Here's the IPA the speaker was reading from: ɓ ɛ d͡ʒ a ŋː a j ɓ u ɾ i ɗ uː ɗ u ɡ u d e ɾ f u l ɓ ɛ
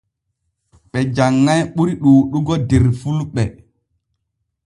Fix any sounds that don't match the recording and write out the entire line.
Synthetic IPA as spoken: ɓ ɛ d͡ʒ a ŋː a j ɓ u ɾ i ɗ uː ɗ u ɡ ɔ d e ɾ f u l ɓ ɛ